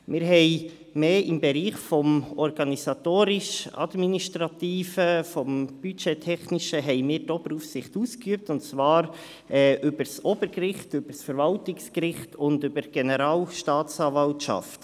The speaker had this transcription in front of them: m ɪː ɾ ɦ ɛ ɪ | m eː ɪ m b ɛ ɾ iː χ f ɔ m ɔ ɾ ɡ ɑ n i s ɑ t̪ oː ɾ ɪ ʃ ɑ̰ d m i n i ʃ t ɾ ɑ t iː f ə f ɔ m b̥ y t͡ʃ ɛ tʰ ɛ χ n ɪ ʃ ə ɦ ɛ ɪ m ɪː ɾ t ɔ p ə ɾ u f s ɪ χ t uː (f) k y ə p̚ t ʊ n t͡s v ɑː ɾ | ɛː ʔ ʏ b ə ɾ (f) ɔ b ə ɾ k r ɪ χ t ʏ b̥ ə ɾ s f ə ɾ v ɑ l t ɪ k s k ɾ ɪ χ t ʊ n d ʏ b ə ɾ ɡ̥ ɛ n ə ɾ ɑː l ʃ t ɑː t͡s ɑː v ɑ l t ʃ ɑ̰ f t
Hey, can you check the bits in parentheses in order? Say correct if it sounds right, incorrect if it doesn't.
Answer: incorrect: s, incorrect: s

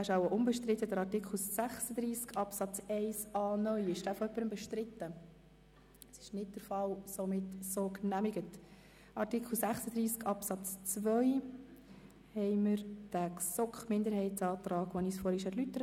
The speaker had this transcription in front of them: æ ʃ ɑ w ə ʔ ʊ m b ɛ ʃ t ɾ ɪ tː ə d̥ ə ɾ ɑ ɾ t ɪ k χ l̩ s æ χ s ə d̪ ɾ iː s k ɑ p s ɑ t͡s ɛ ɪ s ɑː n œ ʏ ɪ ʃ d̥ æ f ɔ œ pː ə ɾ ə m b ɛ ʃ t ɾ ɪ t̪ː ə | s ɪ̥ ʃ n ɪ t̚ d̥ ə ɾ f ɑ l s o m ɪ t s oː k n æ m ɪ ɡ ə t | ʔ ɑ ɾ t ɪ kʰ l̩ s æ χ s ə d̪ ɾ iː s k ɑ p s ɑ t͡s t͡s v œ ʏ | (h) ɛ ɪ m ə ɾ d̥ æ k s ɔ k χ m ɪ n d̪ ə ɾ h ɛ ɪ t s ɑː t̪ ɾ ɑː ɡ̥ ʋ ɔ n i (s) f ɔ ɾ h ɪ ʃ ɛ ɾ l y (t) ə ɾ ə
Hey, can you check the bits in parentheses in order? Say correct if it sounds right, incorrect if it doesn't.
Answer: correct, correct, correct

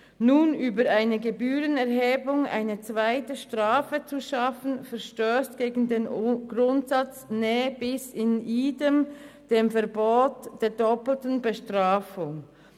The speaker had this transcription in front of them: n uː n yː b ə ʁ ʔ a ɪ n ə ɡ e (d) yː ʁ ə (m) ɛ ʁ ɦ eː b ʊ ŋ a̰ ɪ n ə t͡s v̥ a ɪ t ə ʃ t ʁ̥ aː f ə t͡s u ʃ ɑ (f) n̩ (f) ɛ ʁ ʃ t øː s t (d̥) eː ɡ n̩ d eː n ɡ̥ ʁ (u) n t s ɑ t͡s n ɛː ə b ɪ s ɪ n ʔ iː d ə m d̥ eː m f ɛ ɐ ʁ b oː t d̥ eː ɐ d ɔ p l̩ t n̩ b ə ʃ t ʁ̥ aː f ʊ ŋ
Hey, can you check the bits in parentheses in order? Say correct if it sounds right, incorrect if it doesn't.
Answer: incorrect: b, incorrect: n, correct, correct, incorrect: ɡ̥, incorrect: ʊ

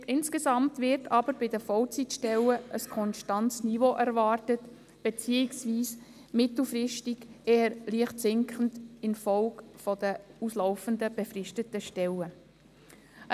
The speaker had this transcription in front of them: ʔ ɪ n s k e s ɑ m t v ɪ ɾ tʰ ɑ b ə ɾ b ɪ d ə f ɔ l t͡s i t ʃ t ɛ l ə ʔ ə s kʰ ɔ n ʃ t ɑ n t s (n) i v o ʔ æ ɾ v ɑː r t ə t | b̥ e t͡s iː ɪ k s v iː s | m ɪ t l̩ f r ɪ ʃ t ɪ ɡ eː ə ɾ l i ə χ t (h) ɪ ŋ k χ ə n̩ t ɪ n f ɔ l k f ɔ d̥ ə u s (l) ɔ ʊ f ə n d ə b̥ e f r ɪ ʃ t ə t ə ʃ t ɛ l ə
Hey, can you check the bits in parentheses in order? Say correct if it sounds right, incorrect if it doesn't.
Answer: correct, incorrect: s, correct

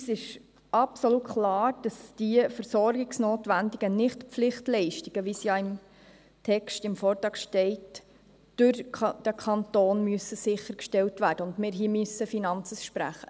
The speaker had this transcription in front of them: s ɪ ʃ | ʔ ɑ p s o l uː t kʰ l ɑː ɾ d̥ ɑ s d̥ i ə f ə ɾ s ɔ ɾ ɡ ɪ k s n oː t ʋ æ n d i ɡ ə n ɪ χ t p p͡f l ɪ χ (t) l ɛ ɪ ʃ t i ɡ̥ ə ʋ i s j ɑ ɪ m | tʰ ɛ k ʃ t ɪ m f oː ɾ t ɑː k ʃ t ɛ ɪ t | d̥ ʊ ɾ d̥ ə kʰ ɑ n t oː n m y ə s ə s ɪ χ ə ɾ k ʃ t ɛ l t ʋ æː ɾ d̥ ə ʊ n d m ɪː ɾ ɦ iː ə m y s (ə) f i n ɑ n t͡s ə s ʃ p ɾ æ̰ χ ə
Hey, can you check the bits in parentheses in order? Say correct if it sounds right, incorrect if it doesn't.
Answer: correct, correct

